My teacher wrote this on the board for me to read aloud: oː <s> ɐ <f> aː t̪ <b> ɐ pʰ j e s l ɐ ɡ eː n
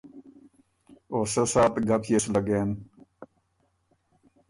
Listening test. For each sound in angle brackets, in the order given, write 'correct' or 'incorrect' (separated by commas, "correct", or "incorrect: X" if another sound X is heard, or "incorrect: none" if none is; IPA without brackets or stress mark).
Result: correct, incorrect: s, incorrect: ɡ